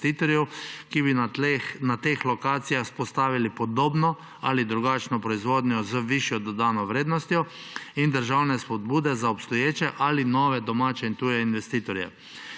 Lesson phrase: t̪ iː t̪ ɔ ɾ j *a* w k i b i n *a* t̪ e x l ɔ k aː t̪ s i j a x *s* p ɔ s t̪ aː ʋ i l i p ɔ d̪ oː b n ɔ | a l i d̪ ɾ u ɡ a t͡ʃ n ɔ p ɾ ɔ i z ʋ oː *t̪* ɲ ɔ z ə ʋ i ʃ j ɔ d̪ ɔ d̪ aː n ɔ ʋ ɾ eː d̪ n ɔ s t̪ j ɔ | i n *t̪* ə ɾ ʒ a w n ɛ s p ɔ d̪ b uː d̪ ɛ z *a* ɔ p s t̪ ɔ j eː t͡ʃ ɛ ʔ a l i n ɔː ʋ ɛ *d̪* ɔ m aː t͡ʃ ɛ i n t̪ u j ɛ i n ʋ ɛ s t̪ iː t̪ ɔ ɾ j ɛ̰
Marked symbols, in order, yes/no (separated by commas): no, yes, yes, no, no, yes, yes